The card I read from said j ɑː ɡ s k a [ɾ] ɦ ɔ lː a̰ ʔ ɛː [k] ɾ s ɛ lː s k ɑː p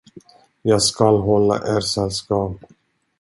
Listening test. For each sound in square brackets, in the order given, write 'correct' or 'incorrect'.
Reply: incorrect: l, incorrect: none

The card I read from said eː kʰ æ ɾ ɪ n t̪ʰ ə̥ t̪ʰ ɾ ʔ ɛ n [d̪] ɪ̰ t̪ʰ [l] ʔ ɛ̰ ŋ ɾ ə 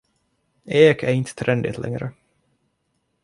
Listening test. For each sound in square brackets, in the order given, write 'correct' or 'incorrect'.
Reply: correct, correct

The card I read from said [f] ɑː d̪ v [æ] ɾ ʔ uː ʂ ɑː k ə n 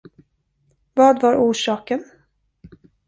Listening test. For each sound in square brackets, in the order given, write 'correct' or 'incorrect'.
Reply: incorrect: v, incorrect: a

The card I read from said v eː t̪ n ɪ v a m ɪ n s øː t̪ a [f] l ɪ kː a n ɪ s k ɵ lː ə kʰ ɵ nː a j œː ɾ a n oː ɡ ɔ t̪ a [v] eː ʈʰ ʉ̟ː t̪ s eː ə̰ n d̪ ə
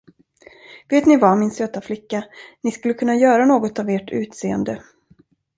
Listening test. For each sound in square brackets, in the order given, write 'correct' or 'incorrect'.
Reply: correct, correct

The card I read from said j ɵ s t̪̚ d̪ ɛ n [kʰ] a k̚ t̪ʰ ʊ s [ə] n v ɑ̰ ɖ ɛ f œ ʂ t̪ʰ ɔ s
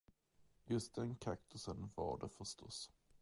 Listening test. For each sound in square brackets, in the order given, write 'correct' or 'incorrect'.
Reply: correct, correct

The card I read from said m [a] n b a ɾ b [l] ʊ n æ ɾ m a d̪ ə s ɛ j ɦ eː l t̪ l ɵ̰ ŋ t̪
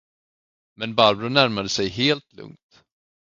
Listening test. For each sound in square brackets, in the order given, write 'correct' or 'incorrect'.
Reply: incorrect: ɛ, incorrect: ɾ

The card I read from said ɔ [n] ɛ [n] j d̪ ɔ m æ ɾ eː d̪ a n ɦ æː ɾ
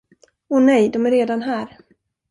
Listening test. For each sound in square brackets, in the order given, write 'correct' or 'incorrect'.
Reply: correct, incorrect: none

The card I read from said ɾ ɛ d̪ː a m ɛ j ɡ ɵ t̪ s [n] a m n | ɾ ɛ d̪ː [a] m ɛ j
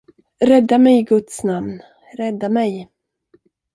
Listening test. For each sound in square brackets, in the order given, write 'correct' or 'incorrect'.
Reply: correct, correct

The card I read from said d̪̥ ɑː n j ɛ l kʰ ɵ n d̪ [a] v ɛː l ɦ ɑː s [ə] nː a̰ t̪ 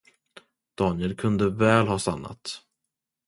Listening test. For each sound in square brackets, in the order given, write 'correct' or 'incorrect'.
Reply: incorrect: ə, incorrect: a

